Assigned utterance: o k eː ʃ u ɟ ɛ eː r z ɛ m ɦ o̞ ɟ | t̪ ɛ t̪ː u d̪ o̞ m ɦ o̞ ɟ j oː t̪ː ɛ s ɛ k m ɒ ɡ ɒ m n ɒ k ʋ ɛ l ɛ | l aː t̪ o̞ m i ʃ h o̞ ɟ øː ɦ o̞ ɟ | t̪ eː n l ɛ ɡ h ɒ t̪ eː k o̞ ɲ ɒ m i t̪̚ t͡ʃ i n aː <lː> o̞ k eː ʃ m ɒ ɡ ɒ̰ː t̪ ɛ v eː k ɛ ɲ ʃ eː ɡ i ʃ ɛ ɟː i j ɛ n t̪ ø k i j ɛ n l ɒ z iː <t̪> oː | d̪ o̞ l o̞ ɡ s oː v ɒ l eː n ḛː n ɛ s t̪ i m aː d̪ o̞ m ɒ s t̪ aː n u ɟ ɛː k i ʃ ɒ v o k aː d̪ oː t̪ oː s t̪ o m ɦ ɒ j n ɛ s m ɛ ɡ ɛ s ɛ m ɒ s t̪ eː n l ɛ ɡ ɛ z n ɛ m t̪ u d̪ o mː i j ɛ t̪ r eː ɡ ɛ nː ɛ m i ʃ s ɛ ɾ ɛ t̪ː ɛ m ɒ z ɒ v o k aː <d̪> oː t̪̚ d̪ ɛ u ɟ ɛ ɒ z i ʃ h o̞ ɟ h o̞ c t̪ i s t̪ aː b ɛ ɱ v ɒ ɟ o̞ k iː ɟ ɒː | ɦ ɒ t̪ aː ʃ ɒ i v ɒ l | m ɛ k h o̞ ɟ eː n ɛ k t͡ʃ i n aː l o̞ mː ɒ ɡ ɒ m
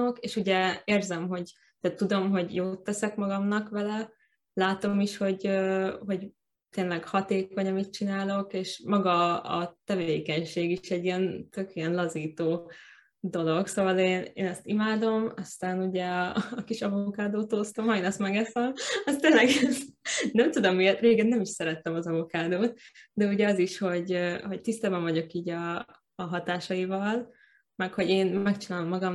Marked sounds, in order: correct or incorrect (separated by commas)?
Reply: incorrect, correct, correct